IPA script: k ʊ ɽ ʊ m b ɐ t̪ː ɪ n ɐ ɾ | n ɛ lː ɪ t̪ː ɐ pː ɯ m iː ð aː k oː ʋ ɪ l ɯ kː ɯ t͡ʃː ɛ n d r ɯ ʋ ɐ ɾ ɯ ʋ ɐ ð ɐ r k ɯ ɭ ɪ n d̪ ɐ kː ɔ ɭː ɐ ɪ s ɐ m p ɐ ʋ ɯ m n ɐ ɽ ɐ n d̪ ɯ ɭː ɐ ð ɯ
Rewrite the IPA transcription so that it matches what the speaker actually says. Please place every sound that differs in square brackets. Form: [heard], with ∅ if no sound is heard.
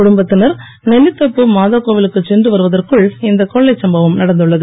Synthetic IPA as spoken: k ʊ ɽ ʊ m b ɐ t̪ː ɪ n ɐ ɾ | n ɛ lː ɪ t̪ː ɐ pː ɯ m [aː] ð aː k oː ʋ ɪ l ɯ kː ɯ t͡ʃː ɛ n d r ɯ ʋ ɐ ɾ ɯ ʋ ɐ ð ɐ r k ɯ ɭ ɪ n d̪ ɐ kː ɔ ɭː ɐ ɪ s ɐ m [b] ɐ ʋ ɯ m n ɐ ɽ ɐ n d̪ ɯ ɭː ɐ ð ɯ